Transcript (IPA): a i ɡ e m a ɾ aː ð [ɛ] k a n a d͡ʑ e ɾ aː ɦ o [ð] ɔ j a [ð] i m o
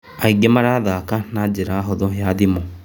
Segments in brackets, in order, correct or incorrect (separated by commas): incorrect, correct, correct